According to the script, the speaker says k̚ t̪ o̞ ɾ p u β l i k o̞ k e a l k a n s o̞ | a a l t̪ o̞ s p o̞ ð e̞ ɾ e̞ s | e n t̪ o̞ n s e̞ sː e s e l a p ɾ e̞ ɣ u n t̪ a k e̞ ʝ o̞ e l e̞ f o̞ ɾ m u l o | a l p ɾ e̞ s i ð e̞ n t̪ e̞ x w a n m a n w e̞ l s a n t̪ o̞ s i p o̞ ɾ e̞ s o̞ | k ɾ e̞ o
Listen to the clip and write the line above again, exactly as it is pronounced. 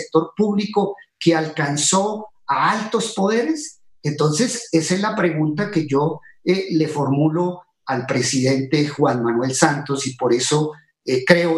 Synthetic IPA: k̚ t̪ o̞ ɾ p u β l i k o̞ k e a l k a n s o̞ | a a l t̪ o̞ s p o̞ ð e̞ ɾ e̞ s | e n t̪ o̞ n s e̞ s e s e l a p ɾ e̞ ɣ u n t̪ a k e̞ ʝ o̞ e l e̞ f o̞ ɾ m u l o | a l p ɾ e̞ s i ð e̞ n t̪ e̞ x w a n m a n w e̞ l s a n t̪ o̞ s i p o̞ ɾ e̞ s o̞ | k ɾ e̞ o